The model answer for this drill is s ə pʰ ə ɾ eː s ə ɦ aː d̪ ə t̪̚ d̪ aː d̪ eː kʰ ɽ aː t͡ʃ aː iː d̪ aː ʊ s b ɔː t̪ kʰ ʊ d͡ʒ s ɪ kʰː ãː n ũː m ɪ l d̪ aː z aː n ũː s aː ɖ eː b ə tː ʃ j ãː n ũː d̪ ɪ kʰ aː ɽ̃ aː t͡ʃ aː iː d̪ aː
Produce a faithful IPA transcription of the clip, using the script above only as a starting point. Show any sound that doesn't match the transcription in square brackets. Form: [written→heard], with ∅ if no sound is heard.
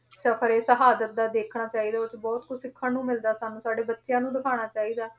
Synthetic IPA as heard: s ə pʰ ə ɾ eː s ə ɦ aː d̪ ə t̪̚ d̪ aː d̪ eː kʰ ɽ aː t͡ʃ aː iː d̪ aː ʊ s b ɔː t̪ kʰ ʊ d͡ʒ s ɪ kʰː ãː n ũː m ɪ l d̪ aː [z→s] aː n ũː s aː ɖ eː b ə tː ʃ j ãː n ũː d̪ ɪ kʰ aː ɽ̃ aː t͡ʃ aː iː d̪ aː